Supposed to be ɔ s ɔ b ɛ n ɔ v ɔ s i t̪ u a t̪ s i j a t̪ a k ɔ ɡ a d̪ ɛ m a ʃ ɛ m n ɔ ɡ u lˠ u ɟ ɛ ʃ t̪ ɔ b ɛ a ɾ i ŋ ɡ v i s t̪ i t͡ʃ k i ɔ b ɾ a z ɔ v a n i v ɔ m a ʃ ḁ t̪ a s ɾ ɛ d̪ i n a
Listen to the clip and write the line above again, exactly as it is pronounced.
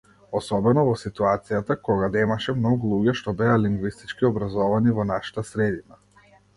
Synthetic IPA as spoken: ɔ s ɔ b ɛ n ɔ v ɔ s i t̪ u a t̪ s i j a t̪ a k ɔ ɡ a d̪ ɛ m a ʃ ɛ m n ɔ ɡ u lˠ u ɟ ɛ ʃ t̪ ɔ b ɛ a l i ŋ ɡ v i s t̪ i t͡ʃ k i ɔ b ɾ a z ɔ v a n i v ɔ n a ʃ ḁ t̪ a s ɾ ɛ d̪ i n a

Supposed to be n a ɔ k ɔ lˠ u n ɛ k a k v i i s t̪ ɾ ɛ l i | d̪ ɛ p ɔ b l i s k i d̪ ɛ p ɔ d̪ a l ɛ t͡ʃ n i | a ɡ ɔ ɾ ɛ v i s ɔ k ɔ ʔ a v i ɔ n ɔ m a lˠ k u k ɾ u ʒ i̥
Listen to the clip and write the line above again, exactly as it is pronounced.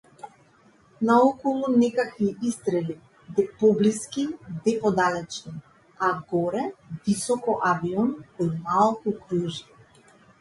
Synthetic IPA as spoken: n a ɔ k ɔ lˠ u n ɛ k a k v i i s t̪ ɾ ɛ l i | d̪ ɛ p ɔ b l i s k i d̪ ɛ p ɔ d̪ a l ɛ t͡ʃ n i | a ɡ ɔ ɾ ɛ v i s ɔ k ɔ ʔ a v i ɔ n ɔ m a lˠ k u k ɾ u ʒ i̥

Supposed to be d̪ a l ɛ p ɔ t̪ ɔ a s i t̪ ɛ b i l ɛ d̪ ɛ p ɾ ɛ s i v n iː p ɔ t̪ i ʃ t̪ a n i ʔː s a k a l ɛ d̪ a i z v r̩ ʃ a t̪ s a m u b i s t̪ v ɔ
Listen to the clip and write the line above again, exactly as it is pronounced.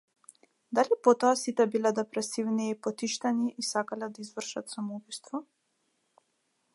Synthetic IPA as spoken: d̪ a l i p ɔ t̪ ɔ a s i t̪ ɛ b i l ɛ d̪ ɛ p ɾ ɛ s i v n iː p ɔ t̪ i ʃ t̪ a n i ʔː s a k a l ɛ d̪ a i z v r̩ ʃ a t̪ s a m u b i s t̪ v ɔ

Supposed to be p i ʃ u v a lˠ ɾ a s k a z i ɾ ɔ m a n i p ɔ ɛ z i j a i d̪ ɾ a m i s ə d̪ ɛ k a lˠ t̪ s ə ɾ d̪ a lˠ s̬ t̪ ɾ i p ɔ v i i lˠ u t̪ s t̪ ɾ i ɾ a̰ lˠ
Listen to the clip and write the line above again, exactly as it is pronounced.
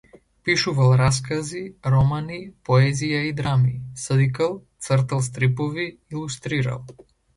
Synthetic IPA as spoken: p i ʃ u v a lˠ ɾ a s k a z i ɾ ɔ m a n i p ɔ ɛ z i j a i d̪ ɾ a m i s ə d̪ i k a lˠ t̪ s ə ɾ t̪ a lˠ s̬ t̪ ɾ i p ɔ v i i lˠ u s t̪ ɾ i ɾ a̰ lˠ

